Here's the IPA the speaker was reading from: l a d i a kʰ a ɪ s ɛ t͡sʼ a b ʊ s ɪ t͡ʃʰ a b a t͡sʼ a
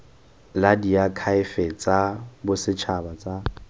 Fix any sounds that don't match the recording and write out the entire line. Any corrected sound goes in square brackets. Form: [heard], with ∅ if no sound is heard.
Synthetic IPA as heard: l a d i a kʰ a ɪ [f] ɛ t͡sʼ a b ʊ s ɪ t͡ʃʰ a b a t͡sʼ a